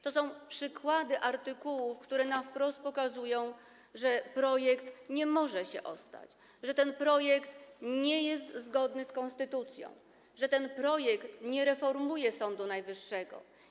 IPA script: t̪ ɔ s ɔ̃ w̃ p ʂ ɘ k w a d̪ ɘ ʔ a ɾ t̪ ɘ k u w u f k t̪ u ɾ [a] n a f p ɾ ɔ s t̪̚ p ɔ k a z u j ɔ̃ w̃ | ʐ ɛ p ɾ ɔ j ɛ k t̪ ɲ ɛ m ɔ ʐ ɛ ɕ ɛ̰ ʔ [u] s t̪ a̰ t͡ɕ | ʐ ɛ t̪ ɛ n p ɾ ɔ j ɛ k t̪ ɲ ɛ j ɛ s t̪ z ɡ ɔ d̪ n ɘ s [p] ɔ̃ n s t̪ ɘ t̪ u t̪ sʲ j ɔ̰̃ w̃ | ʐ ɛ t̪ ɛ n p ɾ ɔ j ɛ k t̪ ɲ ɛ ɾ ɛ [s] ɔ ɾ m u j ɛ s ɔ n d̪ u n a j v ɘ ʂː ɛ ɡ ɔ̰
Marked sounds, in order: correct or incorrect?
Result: incorrect, incorrect, incorrect, incorrect

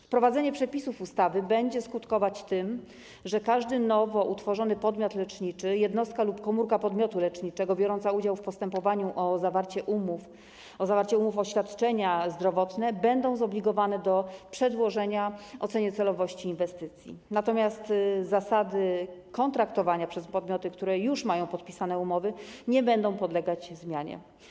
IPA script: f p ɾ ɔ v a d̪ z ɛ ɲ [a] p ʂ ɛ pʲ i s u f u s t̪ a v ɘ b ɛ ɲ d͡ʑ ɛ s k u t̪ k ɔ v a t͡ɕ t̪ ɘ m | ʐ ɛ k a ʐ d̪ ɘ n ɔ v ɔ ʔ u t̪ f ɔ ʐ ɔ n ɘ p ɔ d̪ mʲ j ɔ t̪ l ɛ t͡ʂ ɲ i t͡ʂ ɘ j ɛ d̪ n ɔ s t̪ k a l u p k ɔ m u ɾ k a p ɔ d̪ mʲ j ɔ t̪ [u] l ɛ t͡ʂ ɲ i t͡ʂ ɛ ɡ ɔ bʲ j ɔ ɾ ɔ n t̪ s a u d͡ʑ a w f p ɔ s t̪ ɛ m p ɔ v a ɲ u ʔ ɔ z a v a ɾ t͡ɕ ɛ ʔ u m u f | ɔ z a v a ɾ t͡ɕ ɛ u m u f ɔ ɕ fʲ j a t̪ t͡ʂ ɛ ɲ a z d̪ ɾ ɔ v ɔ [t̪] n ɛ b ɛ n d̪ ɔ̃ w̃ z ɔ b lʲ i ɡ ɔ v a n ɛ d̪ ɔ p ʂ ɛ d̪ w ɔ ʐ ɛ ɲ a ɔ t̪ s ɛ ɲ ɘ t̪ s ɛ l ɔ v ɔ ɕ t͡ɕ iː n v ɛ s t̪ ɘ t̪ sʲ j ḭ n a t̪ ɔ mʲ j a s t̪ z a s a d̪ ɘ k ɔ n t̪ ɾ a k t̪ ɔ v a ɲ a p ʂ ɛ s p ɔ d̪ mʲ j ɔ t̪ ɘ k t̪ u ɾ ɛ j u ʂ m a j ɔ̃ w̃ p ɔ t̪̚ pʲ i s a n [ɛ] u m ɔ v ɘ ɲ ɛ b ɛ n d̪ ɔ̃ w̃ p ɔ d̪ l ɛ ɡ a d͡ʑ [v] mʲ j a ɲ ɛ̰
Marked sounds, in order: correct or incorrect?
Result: incorrect, correct, correct, correct, incorrect

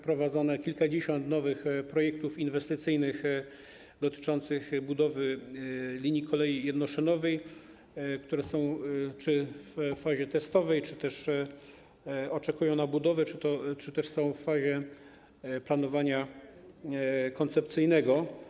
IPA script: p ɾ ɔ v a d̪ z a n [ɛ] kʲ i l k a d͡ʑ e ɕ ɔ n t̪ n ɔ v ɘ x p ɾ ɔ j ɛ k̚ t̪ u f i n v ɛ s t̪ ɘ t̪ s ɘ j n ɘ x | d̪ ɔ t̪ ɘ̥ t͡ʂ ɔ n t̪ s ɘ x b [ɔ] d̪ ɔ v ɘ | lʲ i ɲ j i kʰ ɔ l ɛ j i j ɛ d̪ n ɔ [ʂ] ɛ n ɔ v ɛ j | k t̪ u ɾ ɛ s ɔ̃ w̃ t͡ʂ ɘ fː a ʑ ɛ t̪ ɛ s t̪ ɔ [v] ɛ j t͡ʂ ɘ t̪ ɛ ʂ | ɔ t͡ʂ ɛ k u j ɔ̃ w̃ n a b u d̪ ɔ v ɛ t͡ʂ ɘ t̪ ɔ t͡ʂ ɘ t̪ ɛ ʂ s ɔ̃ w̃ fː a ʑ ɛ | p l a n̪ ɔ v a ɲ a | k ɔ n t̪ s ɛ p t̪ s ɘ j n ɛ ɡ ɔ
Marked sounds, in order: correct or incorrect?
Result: correct, incorrect, correct, correct

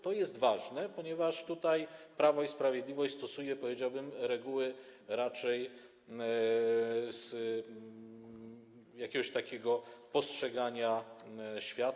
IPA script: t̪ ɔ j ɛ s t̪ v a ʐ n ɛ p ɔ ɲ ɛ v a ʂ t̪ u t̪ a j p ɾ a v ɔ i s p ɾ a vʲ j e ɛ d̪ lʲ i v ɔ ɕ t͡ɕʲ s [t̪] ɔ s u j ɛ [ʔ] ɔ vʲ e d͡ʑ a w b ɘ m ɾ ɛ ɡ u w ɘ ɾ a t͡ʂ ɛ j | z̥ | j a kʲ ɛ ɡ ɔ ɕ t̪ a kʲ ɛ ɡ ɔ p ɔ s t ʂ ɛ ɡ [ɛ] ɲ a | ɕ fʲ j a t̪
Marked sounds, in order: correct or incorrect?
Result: correct, incorrect, incorrect

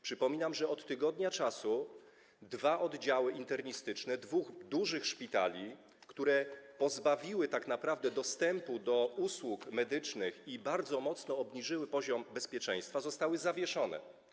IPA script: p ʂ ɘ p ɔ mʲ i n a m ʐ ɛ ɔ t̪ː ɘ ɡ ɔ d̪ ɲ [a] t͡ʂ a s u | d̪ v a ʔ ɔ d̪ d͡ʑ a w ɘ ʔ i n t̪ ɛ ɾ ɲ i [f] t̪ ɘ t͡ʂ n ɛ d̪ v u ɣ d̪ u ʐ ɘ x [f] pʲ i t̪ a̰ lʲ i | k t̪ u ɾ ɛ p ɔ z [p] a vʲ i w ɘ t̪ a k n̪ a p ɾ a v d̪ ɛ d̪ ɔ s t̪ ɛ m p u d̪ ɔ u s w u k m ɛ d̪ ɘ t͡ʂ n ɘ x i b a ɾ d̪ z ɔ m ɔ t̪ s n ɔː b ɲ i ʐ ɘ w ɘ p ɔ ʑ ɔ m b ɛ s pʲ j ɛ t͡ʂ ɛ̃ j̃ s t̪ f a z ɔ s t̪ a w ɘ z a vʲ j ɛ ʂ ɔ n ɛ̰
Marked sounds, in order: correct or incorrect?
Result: correct, incorrect, incorrect, incorrect

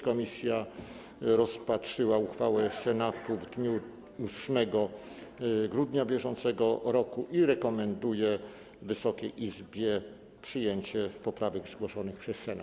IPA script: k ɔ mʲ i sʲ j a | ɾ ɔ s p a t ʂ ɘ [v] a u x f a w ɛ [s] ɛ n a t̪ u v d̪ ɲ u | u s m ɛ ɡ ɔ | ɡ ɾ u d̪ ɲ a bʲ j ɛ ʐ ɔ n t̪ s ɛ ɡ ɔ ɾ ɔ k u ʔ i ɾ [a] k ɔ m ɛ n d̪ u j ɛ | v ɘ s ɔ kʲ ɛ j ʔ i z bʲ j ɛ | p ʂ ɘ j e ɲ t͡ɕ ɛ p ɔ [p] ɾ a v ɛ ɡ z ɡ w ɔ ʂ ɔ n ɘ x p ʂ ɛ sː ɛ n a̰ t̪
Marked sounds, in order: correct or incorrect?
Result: incorrect, correct, incorrect, correct

